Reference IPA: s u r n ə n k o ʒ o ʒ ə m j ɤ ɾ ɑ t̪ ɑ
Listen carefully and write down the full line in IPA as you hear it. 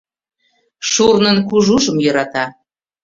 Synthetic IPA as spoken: ʃ u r n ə n k u ʒ u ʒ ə m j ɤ ɾ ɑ t̪ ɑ